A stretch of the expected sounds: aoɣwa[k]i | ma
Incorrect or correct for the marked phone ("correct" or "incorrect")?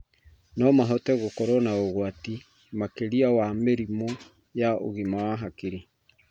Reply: incorrect